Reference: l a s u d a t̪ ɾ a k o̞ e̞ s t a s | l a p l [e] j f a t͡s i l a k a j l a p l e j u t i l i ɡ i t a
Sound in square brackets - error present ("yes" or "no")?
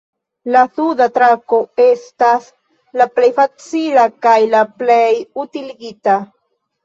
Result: no